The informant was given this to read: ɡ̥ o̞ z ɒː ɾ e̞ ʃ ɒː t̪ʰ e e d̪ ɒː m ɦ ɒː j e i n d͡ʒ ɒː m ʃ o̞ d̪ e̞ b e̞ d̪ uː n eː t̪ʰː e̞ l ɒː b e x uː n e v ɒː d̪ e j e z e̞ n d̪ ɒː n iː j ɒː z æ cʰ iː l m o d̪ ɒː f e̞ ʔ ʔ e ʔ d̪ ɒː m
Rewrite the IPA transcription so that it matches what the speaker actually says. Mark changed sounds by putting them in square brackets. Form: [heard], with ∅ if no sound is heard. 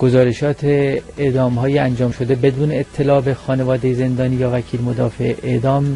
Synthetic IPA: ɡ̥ o̞ z ɒː ɾ e̞ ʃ ɒː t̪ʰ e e d̪ ɒː m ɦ ɒː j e [æ] n d͡ʒ ɒː m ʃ o̞ d̪ e̞ b e̞ d̪ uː n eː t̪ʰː e̞ l ɒː b e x [ɒː] n e v ɒː d̪ e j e z e̞ n d̪ ɒː n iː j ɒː [v] æ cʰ iː l m o d̪ ɒː f e̞ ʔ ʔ e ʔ d̪ ɒː m